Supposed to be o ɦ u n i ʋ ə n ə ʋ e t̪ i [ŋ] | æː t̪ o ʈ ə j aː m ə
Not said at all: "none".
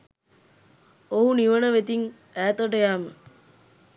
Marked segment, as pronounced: ŋ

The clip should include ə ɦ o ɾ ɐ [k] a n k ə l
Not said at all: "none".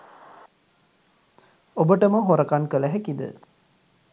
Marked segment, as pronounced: k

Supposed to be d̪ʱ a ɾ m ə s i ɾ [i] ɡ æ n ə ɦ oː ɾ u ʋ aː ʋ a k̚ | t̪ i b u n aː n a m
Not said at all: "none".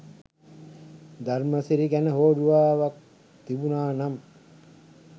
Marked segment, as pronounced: i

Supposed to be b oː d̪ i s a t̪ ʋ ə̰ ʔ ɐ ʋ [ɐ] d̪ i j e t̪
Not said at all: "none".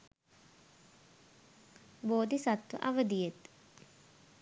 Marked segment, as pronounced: ə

